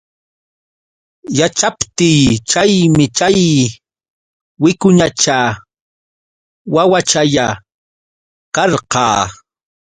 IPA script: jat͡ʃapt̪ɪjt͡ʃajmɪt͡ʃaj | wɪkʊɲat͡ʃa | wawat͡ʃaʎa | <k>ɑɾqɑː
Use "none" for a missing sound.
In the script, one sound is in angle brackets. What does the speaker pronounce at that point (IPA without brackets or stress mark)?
k